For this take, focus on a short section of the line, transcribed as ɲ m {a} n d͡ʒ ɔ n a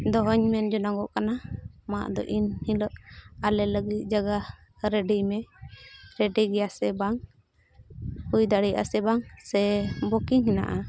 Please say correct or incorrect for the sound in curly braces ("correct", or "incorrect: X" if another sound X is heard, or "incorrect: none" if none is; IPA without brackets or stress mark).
incorrect: ɛ